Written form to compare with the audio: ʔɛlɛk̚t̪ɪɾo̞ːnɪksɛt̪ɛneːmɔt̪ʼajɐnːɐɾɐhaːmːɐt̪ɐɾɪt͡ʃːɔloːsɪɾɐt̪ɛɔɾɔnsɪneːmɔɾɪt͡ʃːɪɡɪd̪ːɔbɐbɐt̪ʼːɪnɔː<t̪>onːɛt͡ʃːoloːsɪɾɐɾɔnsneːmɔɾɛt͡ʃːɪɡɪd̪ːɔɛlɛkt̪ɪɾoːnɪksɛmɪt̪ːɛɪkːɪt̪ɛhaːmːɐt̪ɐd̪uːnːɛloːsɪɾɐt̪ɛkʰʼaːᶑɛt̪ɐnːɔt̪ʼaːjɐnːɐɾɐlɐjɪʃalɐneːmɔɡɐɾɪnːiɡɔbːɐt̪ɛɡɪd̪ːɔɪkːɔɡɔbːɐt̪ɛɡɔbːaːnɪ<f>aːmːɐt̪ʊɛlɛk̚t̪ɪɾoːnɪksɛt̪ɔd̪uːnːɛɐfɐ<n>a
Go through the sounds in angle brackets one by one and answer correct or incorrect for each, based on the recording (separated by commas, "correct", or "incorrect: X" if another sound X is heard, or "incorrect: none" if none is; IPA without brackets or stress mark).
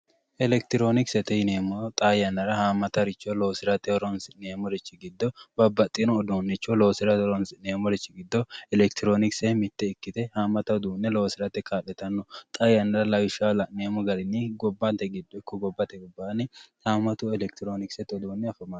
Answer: incorrect: d̪, incorrect: h, incorrect: m